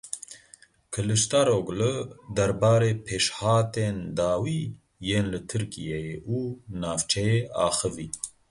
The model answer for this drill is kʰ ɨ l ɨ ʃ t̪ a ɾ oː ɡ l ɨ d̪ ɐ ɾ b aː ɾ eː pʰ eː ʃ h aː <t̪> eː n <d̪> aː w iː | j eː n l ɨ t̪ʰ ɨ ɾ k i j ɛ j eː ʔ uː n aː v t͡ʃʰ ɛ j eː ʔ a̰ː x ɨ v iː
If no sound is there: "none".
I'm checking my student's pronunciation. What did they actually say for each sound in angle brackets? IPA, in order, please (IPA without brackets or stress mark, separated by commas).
t̪, d̪